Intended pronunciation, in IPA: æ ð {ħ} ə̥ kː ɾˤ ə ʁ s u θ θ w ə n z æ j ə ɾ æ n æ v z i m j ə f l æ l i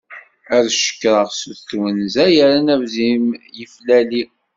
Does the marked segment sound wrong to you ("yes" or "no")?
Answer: yes